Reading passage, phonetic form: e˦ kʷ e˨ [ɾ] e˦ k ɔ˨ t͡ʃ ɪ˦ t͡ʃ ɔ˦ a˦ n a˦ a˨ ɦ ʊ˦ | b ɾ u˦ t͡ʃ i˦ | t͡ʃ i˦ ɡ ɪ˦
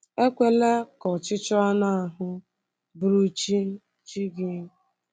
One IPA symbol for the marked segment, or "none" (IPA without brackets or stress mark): l